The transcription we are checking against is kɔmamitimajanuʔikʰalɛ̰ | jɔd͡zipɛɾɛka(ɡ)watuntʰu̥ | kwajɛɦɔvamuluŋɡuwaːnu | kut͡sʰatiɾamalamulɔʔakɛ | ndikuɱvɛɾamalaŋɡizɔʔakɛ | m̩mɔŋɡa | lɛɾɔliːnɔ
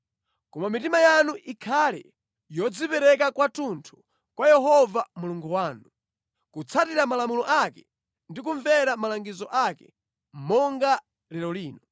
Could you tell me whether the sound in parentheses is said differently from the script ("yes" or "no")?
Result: yes